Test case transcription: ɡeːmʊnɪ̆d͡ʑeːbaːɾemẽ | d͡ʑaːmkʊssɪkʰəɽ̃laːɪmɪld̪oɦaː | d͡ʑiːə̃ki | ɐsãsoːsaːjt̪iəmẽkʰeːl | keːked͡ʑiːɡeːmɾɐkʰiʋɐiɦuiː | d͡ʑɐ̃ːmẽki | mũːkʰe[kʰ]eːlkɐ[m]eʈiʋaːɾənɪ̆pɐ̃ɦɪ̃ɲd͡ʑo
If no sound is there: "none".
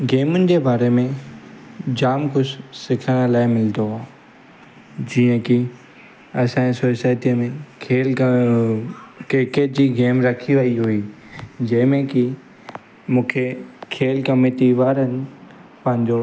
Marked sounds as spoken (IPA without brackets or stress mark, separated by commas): kʰ, m